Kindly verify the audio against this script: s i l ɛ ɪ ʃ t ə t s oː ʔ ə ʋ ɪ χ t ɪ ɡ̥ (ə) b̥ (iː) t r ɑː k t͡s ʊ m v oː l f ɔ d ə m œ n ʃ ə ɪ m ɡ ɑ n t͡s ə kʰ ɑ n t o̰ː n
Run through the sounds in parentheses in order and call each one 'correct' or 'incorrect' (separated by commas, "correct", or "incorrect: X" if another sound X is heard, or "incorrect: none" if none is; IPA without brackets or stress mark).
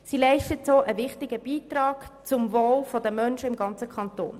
correct, correct